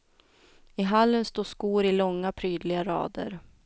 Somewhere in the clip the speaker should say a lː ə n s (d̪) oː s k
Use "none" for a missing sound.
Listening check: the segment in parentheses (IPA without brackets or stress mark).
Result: t̪